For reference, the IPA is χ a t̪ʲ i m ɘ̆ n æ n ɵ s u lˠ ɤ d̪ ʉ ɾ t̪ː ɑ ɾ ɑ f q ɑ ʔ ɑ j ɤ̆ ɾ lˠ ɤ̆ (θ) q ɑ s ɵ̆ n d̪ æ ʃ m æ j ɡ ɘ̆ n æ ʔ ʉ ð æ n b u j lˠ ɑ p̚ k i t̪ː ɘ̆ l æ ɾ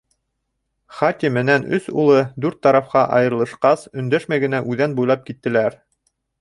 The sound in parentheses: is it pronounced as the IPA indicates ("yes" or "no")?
no